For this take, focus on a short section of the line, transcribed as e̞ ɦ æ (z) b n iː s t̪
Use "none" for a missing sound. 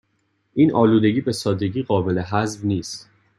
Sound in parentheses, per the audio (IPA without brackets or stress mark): z